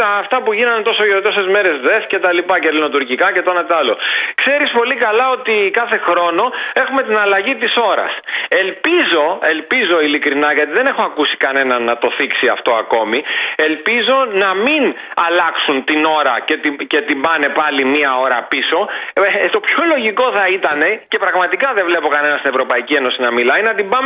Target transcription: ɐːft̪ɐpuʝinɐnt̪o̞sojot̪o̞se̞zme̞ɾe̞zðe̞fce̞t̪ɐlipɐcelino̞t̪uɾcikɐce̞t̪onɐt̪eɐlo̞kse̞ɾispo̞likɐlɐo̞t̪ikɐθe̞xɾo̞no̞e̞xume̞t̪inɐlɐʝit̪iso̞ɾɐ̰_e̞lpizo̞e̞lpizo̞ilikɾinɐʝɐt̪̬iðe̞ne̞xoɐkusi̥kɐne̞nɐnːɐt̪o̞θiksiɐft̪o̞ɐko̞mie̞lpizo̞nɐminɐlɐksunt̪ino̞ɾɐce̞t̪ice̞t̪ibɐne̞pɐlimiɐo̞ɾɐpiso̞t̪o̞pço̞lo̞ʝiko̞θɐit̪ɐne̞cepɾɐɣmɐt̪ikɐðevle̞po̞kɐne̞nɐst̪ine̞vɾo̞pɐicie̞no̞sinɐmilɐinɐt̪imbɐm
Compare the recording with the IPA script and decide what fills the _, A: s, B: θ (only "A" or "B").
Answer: A